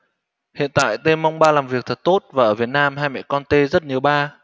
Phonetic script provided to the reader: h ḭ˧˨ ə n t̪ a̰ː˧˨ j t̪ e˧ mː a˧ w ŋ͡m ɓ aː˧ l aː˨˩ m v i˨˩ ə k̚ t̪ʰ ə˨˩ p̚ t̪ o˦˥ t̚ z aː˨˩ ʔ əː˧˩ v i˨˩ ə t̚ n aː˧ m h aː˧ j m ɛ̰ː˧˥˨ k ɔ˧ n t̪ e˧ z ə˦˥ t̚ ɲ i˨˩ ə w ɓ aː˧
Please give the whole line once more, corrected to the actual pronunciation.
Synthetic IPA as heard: h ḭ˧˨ ə n t̪ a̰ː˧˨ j t̪ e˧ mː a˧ w ŋ͡m ɓ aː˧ l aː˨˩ m v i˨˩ ə k̚ t̪ʰ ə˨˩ t̚ t̪ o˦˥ t̚ v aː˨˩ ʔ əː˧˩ v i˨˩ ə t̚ n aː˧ m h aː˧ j m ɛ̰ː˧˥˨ k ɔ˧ n t̪ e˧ z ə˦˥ t̚ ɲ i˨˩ ə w ɓ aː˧

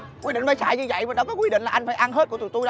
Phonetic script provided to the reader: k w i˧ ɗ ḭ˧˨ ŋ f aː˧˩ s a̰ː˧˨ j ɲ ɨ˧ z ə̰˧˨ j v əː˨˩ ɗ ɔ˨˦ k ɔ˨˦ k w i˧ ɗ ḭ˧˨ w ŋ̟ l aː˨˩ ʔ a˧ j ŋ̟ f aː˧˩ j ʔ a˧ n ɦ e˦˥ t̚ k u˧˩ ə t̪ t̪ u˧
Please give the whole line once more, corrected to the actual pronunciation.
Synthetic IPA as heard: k w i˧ ɗ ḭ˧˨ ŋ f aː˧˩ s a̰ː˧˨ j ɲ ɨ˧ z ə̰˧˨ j v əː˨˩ ɗ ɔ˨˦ k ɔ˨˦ k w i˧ ɗ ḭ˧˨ ŋ̟ l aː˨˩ ʔ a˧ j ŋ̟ f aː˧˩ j ʔ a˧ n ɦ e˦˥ t̚ k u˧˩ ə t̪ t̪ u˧

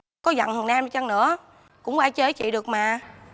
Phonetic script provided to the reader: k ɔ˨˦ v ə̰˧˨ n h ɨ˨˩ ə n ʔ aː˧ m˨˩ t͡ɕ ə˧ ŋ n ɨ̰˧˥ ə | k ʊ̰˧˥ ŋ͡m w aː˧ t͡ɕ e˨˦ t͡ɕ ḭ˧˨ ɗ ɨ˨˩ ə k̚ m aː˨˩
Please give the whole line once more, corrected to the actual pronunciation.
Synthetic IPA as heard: k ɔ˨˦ z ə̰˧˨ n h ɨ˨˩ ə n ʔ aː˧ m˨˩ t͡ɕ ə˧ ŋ n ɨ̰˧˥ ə | k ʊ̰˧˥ ŋ͡m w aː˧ t͡ɕ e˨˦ t͡ɕ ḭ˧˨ ɗ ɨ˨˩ ə k̚ m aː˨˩

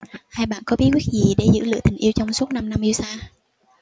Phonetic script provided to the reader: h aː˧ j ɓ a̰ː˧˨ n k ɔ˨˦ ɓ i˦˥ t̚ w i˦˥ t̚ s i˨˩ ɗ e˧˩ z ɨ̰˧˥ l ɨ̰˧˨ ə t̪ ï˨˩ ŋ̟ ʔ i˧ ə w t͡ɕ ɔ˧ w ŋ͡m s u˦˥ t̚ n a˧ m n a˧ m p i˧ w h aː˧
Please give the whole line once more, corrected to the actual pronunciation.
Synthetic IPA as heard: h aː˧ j ɓ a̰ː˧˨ n k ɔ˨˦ ɓ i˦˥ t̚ w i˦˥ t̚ z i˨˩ ɗ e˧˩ z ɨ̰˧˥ l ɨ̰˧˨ ə t̪ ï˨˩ ŋ̟ ʔ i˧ ə w t͡ɕ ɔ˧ w ŋ͡m s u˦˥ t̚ n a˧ m n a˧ m ʔ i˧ w s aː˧

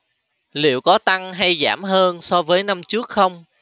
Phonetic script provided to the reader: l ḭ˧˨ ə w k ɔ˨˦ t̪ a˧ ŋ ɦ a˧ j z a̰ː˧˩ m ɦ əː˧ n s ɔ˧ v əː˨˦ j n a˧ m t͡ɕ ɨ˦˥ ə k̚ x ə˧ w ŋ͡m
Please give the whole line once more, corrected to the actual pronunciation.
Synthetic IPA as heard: l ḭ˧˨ ə w k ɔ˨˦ t̪ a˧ ŋ ɦ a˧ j z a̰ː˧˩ m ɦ əː˧ n s ɔ˧ v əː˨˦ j n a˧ m t͡ɕ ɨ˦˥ ə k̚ x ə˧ w ŋ͡m

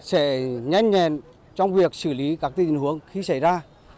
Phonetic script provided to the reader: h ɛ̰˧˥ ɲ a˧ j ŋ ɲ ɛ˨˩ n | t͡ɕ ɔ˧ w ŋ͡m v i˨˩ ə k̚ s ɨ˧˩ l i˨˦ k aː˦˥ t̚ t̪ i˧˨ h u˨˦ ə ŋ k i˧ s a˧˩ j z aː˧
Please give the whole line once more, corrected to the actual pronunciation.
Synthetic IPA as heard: s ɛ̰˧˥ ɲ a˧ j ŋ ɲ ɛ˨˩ n | t͡ɕ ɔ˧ w ŋ͡m v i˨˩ ə k̚ s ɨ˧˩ l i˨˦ k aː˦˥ k̚ t̪ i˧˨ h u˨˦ ə ŋ x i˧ s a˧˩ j z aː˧

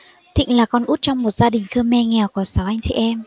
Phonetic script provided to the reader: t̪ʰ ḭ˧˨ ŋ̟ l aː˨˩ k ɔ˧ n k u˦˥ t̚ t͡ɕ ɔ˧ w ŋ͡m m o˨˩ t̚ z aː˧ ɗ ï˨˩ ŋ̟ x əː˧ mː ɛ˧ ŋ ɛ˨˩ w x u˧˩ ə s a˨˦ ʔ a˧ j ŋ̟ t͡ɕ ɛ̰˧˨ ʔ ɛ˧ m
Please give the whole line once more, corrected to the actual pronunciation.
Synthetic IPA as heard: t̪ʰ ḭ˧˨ ŋ̟ l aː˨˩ k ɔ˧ n ʔ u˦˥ t̚ t͡ɕ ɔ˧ w ŋ͡m m o˨˩ t̚ z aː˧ ɗ ï˨˩ ŋ̟ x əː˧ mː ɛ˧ ŋ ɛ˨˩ w k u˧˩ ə s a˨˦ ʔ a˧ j ŋ̟ t͡ɕ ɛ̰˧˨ ʔ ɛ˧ m

